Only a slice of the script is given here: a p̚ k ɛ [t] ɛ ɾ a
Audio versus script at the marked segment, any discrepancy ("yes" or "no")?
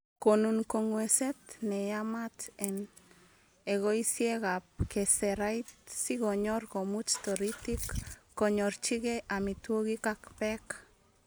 yes